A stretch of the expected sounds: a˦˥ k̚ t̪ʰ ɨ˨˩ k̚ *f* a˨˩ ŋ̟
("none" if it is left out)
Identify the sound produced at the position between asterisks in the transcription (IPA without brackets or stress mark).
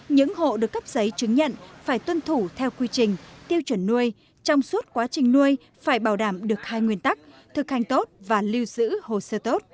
h